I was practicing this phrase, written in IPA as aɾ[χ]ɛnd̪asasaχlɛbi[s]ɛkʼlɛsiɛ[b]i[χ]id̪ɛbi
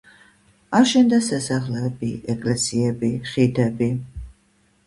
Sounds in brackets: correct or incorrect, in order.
incorrect: ʃ, incorrect: none, correct, correct

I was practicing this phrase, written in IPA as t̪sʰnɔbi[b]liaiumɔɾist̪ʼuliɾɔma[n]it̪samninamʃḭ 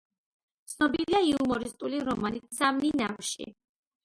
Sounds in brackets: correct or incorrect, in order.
incorrect: none, correct

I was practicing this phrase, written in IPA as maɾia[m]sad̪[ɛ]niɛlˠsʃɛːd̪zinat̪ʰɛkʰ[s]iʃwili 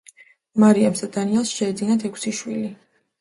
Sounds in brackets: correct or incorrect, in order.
correct, incorrect: a, correct

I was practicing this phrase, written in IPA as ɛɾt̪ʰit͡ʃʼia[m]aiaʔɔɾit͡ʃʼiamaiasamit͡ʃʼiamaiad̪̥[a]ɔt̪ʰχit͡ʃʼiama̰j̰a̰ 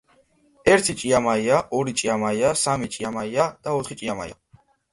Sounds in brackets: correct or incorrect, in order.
correct, correct

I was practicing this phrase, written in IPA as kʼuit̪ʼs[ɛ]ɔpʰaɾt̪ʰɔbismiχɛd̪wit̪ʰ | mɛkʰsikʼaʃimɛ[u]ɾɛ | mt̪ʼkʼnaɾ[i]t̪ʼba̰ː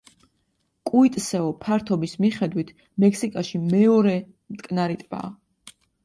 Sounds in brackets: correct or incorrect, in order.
correct, incorrect: ɔ, correct

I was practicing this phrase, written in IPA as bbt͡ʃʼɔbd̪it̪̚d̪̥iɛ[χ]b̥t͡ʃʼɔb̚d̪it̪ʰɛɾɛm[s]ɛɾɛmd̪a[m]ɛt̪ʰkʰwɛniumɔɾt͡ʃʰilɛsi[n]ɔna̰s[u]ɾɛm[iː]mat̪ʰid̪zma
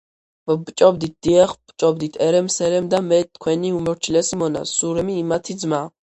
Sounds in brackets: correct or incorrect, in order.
correct, correct, correct, incorrect: m, correct, correct

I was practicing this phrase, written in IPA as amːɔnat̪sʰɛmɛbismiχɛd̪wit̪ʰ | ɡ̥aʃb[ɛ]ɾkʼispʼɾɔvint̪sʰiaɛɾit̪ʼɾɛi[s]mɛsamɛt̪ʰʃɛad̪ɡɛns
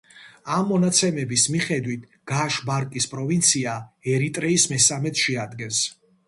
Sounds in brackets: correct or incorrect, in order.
incorrect: a, correct

